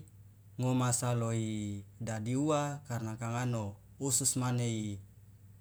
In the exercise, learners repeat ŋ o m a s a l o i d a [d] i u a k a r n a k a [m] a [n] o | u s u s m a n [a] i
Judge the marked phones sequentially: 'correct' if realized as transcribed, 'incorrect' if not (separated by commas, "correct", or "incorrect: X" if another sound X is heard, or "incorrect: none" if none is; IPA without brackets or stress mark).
correct, incorrect: ŋ, correct, incorrect: e